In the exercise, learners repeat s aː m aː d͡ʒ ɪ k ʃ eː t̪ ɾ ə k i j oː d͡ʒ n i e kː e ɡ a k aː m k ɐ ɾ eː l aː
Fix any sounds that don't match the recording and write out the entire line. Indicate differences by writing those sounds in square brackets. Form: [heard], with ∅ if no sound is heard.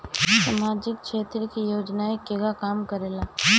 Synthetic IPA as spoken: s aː m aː d͡ʒ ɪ k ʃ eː t̪ ɾ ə k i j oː d͡ʒ n [a] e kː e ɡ a k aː m k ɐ ɾ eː l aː